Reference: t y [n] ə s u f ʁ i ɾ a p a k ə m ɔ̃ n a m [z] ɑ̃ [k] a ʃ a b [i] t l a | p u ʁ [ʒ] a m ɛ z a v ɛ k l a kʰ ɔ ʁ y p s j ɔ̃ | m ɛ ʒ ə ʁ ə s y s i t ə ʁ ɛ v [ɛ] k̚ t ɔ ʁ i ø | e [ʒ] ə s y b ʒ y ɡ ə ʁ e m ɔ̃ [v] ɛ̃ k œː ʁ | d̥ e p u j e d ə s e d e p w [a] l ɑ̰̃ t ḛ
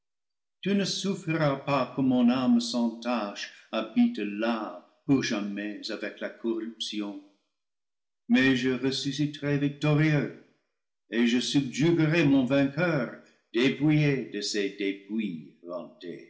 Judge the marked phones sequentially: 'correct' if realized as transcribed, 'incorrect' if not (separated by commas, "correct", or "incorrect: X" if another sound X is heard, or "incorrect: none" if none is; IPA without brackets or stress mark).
correct, incorrect: s, incorrect: t, correct, correct, incorrect: i, correct, correct, incorrect: i